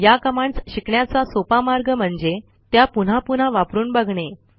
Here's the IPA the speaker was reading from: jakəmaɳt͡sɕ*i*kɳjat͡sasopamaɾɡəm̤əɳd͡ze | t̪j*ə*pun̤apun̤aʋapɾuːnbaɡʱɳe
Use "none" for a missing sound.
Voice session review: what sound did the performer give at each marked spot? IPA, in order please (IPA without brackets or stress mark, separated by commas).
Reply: i, a